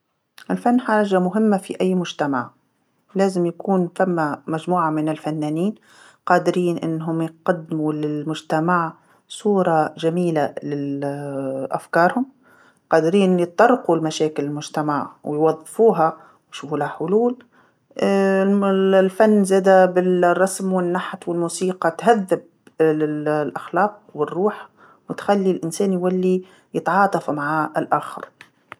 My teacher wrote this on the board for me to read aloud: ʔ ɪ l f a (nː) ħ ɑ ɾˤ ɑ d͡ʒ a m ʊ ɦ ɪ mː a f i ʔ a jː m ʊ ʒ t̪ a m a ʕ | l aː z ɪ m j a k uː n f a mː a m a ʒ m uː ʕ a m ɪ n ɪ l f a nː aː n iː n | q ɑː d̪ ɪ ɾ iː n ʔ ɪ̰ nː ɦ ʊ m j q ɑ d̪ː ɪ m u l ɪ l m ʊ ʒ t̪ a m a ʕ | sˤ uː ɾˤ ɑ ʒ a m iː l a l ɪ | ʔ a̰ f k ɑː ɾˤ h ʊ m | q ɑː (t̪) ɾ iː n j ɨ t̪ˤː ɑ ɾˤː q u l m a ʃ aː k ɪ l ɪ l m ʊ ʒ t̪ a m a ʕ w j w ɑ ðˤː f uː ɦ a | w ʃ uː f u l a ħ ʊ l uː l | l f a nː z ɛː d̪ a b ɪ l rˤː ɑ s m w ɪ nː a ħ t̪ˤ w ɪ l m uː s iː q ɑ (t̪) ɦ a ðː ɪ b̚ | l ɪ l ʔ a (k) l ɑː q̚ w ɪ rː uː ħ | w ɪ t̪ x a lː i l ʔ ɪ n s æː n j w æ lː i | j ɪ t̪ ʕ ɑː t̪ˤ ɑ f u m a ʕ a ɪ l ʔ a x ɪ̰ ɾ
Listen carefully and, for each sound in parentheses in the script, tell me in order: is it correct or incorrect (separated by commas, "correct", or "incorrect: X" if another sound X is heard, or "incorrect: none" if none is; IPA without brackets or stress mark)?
correct, incorrect: d̪, correct, incorrect: x